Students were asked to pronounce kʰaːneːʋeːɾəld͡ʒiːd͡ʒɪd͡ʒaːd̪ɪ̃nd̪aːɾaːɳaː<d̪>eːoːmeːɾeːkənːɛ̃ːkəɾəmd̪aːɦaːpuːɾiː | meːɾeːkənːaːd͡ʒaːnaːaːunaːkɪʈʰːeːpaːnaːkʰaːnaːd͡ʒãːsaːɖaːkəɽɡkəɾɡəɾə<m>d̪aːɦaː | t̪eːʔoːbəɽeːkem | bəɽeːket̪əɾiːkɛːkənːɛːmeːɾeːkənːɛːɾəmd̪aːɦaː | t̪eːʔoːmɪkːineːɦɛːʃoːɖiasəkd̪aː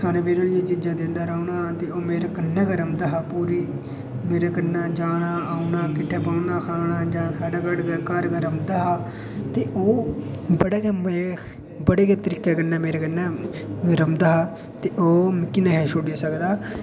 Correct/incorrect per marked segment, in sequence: incorrect: t̪, correct

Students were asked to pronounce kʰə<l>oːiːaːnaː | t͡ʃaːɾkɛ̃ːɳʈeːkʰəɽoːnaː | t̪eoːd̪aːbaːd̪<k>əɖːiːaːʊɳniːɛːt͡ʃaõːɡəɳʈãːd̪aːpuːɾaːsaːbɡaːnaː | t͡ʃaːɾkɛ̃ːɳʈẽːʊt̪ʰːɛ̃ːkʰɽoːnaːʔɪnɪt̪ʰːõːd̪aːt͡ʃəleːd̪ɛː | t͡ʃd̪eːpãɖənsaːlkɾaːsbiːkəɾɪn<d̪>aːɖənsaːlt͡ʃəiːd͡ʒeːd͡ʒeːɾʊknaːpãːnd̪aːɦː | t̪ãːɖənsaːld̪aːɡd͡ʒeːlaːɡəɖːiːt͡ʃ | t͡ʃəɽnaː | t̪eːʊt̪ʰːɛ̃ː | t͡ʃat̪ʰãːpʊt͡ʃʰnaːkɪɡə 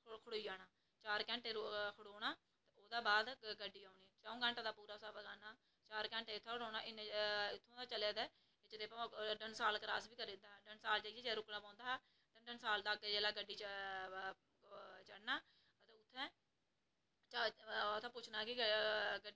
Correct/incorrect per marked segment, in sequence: incorrect: ɽ, incorrect: ɡ, correct

